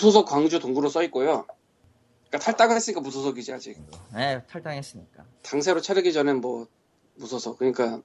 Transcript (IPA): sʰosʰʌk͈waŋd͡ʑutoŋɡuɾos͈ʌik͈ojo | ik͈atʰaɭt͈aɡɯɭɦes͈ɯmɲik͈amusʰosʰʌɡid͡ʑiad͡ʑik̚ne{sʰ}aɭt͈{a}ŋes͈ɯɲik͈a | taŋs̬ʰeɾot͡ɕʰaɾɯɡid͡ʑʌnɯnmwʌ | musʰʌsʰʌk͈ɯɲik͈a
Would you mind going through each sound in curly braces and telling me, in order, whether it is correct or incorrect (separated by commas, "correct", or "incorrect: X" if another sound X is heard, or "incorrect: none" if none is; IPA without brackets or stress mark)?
incorrect: tʰ, correct